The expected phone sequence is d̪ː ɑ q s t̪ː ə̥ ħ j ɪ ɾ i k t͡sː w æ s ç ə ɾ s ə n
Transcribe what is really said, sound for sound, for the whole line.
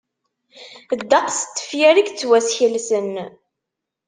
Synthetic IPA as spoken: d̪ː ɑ q s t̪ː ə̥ f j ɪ ɾ i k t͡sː w æ s ç ə l s ə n

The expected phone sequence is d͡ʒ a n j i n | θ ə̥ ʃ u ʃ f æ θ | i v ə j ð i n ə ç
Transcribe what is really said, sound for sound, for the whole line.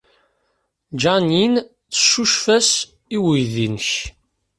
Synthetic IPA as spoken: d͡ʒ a n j i n | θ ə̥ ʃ u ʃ f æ s | i w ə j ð i n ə ç

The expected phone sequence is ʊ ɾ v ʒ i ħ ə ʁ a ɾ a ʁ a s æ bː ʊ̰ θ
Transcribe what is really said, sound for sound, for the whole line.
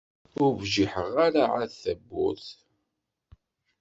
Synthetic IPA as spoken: ʊ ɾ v ʒ i ħ ə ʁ a ɾ a ʕ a θ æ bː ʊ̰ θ

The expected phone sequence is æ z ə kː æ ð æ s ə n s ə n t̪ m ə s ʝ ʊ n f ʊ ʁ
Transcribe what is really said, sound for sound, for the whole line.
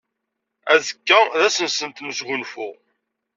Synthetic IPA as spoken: æ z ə kː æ ð æ s ə n s ə n t̪ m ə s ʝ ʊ n f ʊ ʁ

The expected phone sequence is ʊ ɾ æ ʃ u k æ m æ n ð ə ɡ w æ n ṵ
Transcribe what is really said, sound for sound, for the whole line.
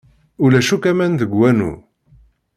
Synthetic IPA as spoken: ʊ l æ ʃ u k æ m æ n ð ə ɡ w æ n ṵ

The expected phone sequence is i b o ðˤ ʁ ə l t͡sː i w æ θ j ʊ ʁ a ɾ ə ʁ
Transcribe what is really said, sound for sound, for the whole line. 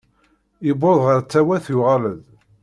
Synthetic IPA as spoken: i b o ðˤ ʁ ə ɾ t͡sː æ w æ θ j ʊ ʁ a l ə ð

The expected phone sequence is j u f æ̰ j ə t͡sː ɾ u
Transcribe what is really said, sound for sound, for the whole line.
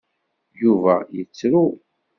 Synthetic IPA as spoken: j u v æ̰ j ə t͡sː ɾ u

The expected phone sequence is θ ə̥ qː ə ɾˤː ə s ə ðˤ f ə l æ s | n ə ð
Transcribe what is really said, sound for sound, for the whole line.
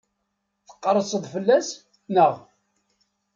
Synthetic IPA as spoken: θ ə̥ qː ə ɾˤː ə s ə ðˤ f ə lː æ s | n ə ʁ

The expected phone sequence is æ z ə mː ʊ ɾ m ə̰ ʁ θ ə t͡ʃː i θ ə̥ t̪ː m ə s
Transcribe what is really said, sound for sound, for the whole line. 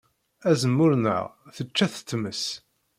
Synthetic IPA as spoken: æ z ə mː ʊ ɾ n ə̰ ʁ θ ə t͡ʃː æ θ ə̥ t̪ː m ə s

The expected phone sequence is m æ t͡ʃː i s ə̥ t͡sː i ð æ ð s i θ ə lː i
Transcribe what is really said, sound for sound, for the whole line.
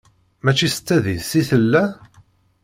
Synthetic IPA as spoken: m æ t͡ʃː i s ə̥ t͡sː æ ð i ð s i θ ə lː æ

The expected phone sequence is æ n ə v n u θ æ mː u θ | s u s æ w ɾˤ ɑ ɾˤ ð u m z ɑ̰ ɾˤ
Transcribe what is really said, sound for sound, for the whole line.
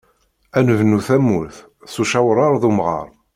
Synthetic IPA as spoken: æ n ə v n u θ æ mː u θ | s u ʃ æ w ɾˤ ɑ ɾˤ ð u m ʁ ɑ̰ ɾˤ

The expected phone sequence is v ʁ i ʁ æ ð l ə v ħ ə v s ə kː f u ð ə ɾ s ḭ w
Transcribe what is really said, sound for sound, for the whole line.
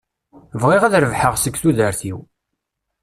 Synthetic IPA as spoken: v ʁ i ʁ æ ð ɾ ə v ħ ə ʁ s ə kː θ u ð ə ɾ θ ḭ w

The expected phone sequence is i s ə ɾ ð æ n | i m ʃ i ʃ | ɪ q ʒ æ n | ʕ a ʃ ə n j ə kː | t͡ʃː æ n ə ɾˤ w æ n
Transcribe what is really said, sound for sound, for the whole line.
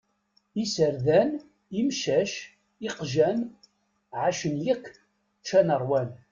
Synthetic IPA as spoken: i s ə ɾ ð æ n | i m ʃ æ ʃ | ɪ q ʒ æ n | ʕ a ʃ ə n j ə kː | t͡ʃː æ n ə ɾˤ w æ n

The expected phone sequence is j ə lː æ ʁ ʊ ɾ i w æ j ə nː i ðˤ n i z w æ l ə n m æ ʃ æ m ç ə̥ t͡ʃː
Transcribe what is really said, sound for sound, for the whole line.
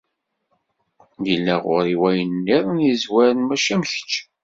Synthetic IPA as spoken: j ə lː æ ʁ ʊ ɾ i w æ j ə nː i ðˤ n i z w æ ɾ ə n m æ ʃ æ m ç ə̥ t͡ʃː

